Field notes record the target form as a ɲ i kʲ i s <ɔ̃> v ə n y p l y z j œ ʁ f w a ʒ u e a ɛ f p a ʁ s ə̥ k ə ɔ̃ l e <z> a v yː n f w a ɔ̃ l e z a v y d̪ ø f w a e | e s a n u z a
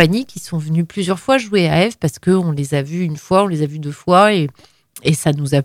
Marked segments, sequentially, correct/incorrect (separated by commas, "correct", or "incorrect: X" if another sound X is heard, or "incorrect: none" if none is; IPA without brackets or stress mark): correct, correct